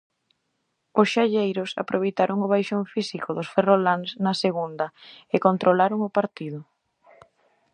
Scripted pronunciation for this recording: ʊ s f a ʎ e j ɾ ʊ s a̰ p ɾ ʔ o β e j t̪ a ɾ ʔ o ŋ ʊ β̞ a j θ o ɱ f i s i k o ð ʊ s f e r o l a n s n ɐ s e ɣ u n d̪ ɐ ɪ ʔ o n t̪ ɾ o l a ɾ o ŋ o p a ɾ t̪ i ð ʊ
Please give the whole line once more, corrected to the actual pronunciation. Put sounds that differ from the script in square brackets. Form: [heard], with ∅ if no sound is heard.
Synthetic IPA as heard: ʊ s [ʃ] a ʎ e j ɾ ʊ s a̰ p ɾ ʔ o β e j t̪ a ɾ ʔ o ŋ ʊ β̞ a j [ʃ] o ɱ f i s i k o ð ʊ s f e r o l a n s n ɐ s e ɣ u n d̪ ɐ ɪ [k] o n t̪ ɾ o l a ɾ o ŋ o p a ɾ t̪ i ð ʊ